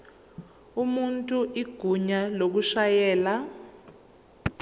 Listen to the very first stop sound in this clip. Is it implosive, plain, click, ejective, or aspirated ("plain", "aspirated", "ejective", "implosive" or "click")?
ejective